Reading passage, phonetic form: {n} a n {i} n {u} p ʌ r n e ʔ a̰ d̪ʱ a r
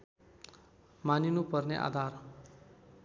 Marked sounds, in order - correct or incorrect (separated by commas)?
incorrect, correct, correct